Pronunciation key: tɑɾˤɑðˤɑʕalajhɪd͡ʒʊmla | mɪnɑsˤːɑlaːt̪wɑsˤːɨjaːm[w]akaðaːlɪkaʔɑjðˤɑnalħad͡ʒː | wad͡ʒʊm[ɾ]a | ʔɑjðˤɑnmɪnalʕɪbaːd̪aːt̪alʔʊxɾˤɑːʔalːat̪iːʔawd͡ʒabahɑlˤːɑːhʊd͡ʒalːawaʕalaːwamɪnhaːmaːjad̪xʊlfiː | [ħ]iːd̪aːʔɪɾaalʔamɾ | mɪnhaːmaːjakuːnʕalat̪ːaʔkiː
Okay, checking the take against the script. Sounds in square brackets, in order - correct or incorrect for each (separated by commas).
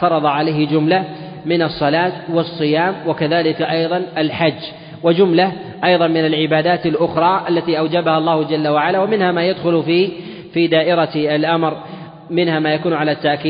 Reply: correct, incorrect, incorrect